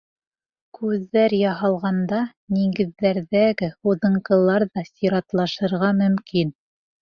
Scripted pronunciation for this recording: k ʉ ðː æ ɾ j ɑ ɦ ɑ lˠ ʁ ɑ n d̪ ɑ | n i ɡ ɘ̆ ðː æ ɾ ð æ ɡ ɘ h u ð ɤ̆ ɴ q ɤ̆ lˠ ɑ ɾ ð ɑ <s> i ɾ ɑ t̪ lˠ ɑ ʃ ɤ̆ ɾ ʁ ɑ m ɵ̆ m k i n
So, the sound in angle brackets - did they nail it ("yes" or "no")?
yes